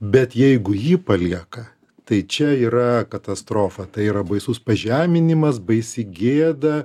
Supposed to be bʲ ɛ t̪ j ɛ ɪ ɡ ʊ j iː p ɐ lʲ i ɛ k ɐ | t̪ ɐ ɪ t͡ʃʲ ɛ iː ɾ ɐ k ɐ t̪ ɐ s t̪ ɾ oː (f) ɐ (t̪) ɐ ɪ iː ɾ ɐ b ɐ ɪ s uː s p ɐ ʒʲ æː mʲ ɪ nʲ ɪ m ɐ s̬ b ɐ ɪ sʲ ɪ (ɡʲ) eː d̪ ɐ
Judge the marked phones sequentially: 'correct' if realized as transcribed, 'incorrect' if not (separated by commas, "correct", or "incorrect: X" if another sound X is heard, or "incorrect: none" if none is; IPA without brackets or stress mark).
correct, correct, correct